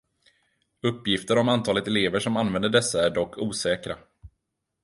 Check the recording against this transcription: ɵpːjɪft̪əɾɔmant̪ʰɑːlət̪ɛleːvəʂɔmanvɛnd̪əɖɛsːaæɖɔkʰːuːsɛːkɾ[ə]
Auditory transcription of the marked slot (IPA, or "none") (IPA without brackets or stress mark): a